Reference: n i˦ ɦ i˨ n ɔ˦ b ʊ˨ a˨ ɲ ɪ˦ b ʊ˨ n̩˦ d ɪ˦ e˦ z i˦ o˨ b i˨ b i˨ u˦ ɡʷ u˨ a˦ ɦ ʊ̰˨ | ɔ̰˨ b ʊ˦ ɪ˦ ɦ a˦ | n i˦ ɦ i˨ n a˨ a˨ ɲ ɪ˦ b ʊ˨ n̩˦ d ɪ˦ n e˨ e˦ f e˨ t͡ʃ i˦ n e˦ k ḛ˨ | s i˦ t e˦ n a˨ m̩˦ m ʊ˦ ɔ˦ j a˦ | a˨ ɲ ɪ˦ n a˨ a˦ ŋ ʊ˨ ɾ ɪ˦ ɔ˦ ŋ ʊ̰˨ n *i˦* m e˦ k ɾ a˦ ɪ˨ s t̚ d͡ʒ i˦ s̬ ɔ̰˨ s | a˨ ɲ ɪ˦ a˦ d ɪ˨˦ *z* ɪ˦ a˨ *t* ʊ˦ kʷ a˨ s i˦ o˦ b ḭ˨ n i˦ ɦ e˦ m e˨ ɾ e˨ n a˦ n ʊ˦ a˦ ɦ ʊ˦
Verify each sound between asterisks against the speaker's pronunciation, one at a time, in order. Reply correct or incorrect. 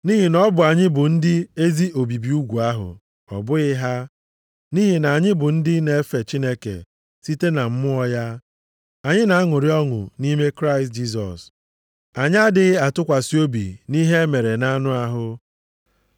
correct, incorrect, correct

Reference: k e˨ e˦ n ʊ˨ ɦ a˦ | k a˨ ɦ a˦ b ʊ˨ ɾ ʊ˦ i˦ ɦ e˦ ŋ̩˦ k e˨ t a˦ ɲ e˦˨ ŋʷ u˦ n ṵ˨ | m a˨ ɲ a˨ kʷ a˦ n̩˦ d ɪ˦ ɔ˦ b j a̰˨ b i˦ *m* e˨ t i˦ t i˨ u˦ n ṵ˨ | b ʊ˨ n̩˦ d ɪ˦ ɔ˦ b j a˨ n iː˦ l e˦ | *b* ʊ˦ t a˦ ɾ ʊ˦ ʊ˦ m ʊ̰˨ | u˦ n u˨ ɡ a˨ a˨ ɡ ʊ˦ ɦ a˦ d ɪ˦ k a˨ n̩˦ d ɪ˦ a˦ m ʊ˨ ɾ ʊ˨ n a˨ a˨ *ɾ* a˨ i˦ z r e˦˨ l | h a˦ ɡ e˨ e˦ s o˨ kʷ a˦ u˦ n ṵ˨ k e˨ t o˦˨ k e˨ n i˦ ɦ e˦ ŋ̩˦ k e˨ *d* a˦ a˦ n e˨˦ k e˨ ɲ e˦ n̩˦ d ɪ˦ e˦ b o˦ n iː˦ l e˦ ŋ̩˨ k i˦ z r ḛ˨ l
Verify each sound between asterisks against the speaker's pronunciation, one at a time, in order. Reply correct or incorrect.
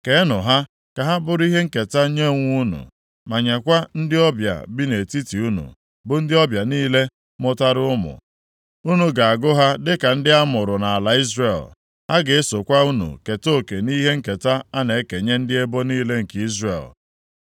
incorrect, incorrect, incorrect, incorrect

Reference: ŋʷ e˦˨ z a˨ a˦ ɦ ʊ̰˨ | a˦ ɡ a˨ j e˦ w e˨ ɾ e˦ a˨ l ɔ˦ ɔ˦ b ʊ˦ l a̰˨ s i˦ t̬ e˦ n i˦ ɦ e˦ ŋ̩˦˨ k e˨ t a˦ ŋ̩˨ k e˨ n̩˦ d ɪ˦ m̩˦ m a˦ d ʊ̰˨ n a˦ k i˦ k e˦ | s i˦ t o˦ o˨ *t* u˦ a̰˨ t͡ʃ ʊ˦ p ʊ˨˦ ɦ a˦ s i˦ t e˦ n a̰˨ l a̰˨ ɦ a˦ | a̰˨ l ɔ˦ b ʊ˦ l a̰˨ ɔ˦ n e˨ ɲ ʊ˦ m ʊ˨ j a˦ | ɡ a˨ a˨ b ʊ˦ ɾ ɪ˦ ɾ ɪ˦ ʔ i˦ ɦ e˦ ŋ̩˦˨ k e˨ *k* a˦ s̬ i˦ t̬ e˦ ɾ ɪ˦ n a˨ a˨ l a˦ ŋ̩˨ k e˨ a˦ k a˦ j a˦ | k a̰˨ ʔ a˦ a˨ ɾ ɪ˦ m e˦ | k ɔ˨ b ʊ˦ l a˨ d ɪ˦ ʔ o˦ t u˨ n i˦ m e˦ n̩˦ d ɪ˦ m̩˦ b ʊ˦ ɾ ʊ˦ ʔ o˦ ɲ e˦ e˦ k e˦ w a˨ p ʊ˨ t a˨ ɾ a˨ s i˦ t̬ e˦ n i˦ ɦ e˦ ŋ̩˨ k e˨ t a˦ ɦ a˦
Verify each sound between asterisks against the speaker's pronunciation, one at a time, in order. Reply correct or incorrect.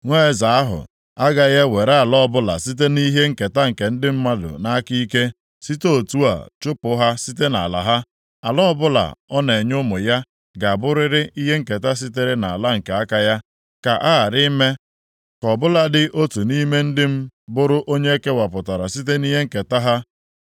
correct, incorrect

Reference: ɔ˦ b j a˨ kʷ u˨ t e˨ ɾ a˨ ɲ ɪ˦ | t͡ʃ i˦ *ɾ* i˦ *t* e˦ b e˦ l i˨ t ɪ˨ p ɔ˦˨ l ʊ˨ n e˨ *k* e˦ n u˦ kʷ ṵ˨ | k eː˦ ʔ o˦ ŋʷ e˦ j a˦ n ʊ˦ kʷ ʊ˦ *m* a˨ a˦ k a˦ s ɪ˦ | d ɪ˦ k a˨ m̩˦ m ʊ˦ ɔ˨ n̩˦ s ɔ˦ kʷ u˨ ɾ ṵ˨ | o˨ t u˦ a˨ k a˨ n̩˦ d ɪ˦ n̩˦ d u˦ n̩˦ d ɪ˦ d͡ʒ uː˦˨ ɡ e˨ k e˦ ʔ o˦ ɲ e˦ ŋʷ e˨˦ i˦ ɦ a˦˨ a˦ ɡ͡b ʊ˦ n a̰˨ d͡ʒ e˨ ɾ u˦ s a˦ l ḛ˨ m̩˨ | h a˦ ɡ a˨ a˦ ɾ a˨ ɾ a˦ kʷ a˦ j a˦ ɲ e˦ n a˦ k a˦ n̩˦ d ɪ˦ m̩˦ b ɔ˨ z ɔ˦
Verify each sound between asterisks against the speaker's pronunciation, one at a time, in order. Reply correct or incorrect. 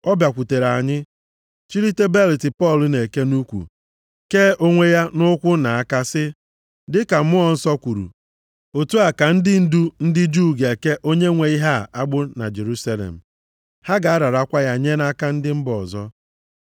correct, correct, correct, incorrect

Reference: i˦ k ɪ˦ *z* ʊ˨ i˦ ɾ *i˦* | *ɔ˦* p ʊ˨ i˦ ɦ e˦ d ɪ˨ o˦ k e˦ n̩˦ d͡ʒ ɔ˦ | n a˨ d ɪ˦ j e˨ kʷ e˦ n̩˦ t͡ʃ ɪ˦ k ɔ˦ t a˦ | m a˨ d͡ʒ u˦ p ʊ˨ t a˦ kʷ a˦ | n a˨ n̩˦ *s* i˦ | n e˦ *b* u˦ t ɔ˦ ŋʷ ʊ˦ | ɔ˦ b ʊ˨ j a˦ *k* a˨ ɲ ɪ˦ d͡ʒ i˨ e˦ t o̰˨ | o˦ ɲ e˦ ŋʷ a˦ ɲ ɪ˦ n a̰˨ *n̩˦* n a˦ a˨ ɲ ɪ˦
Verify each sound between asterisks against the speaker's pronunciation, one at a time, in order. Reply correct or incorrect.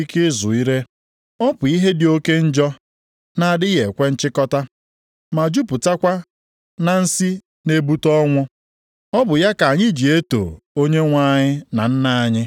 correct, incorrect, correct, correct, correct, correct, correct

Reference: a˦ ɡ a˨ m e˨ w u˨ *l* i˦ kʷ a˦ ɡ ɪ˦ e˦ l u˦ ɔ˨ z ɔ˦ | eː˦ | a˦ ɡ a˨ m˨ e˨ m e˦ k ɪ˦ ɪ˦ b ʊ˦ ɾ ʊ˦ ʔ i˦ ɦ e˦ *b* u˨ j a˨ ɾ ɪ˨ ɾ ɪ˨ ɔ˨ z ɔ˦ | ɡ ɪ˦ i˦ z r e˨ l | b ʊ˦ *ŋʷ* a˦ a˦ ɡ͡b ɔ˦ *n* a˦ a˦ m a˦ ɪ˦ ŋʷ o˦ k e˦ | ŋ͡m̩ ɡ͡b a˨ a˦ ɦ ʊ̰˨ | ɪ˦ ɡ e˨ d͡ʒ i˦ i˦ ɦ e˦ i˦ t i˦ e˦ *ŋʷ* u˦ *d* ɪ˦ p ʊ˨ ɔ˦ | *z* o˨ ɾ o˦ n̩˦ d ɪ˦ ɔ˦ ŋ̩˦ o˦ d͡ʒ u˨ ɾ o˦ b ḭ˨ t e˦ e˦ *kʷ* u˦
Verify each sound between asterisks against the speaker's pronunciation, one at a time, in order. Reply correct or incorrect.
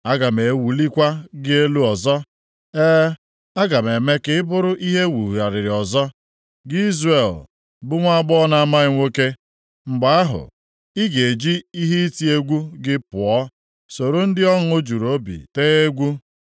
correct, incorrect, correct, correct, incorrect, incorrect, incorrect, incorrect

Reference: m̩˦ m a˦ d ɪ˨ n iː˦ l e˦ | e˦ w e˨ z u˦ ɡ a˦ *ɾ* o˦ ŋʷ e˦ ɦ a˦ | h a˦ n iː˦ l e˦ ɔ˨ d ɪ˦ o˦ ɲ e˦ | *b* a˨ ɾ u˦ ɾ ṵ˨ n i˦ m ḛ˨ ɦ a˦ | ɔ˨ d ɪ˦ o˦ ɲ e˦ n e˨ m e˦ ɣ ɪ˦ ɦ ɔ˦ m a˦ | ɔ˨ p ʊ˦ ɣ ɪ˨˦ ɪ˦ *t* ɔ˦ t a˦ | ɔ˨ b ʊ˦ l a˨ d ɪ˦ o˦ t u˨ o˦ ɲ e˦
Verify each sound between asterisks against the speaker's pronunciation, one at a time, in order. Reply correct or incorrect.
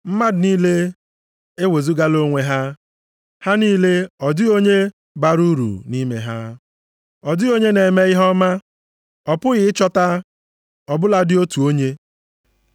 incorrect, correct, incorrect

